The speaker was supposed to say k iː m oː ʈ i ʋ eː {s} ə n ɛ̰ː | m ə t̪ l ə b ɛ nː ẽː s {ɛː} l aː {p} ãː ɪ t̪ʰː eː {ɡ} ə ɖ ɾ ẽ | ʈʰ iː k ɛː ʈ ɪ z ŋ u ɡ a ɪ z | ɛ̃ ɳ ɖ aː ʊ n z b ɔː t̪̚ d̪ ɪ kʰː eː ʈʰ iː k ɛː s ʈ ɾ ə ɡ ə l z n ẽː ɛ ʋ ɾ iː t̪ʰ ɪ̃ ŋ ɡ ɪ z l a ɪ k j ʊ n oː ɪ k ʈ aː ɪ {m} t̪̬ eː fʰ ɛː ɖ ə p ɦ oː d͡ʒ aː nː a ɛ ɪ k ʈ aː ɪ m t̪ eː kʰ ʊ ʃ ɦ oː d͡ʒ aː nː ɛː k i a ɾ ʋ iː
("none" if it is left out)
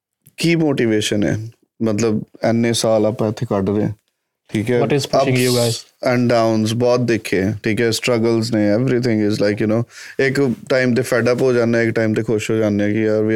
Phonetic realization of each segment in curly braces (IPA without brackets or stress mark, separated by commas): ʃ, aː, p, k, m